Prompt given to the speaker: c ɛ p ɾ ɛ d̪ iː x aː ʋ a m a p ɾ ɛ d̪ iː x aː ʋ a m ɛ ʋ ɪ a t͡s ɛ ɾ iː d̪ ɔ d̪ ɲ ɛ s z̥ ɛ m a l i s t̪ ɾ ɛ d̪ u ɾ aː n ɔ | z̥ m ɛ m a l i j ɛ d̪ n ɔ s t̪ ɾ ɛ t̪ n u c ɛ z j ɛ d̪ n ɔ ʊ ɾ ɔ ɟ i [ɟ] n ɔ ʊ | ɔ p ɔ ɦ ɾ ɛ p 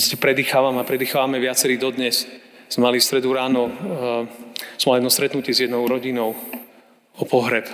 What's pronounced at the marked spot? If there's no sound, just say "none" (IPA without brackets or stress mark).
none